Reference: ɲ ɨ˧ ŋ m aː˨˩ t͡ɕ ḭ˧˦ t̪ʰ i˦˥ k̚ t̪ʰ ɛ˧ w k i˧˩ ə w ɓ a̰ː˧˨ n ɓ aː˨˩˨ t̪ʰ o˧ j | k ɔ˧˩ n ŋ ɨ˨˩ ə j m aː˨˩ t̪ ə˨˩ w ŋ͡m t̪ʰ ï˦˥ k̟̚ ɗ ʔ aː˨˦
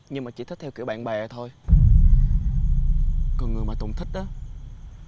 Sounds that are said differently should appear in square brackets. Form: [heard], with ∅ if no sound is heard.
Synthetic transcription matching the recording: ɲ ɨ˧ ŋ m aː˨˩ t͡ɕ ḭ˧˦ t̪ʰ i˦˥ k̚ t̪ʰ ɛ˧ w k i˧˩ ə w ɓ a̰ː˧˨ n ɓ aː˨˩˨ t̪ʰ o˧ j | k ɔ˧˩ n ŋ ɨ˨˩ ə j m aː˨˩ t̪ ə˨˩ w ŋ͡m t̪ʰ ï˦˥ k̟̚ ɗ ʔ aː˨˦

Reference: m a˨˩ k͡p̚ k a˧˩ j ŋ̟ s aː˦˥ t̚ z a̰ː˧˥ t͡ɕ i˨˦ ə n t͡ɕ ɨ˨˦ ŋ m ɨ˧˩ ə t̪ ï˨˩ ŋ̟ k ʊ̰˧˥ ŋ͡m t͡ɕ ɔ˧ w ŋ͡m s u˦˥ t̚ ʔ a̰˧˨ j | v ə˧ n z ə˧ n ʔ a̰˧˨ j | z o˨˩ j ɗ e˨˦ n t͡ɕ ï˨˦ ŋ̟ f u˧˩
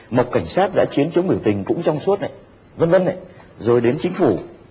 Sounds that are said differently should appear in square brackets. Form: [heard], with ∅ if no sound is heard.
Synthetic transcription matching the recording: m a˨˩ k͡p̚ k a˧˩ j ŋ̟ s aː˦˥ t̚ z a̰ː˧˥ t͡ɕ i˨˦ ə n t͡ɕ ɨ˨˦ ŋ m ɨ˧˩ ə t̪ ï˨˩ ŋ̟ k ʊ̰˧˥ ŋ͡m t͡ɕ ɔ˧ w ŋ͡m s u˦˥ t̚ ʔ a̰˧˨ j | v ə˧ n [v] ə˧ n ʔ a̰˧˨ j | z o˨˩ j ɗ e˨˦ n t͡ɕ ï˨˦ ŋ̟ f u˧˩

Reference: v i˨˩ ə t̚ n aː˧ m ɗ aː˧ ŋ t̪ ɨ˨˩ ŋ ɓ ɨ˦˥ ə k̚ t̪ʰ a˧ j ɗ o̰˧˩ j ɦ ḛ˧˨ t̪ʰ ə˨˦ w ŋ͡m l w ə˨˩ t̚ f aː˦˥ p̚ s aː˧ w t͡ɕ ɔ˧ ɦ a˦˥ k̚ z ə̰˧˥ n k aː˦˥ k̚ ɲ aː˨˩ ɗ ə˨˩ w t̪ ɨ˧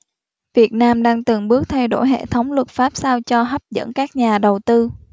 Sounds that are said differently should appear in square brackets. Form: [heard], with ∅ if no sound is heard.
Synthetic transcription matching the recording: v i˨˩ ə t̚ n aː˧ m ɗ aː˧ ŋ t̪ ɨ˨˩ ŋ ɓ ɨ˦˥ ə k̚ t̪ʰ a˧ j ɗ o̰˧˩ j ɦ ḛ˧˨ t̪ʰ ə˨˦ w ŋ͡m l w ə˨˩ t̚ f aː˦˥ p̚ s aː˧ w t͡ɕ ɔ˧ ɦ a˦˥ [p̚] z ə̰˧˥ n k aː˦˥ k̚ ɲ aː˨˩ ɗ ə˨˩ w t̪ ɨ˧

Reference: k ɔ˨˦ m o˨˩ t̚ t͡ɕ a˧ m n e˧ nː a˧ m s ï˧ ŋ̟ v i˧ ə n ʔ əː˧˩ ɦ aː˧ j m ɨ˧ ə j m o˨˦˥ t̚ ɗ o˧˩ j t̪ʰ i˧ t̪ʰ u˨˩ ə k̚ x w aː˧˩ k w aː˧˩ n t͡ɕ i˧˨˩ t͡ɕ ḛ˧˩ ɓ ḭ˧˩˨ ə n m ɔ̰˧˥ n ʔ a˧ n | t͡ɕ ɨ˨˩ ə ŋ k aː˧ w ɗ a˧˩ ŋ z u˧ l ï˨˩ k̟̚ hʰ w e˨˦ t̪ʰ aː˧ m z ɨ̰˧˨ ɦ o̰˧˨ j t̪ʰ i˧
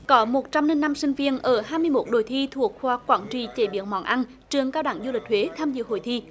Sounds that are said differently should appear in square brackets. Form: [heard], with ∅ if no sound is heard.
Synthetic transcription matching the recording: k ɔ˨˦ m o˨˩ t̚ t͡ɕ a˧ m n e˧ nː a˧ m s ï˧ ŋ̟ v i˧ ə n ʔ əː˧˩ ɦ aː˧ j m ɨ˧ ə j m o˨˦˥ t̚ ɗ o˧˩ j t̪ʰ i˧ t̪ʰ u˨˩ ə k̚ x w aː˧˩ k w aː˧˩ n t͡ɕ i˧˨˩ t͡ɕ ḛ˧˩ ɓ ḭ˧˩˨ ə n m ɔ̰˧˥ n ʔ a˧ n | t͡ɕ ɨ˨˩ ə ŋ k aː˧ w ɗ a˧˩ ŋ z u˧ l ï˨˩ k̟̚ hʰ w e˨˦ t̪ʰ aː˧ m z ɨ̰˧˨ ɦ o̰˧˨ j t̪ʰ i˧

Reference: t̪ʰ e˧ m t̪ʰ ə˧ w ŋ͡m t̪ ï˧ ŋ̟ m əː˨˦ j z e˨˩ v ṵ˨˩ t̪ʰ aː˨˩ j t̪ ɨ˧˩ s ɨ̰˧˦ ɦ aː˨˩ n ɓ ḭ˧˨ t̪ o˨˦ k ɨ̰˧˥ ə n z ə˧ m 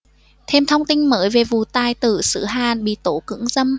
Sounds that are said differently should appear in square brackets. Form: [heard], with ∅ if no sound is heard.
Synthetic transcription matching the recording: t̪ʰ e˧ m t̪ʰ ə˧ w ŋ͡m t̪ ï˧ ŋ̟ m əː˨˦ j [v] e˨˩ v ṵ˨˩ [t̪] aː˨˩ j t̪ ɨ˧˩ s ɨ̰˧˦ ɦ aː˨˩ n ɓ ḭ˧˨ t̪ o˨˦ k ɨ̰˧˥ ə [ŋ] z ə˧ m

